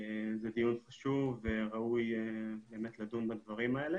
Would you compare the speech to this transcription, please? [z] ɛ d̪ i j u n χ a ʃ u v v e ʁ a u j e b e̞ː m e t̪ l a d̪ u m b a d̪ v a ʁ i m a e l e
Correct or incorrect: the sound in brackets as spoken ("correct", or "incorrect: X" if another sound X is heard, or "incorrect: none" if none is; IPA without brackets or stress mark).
correct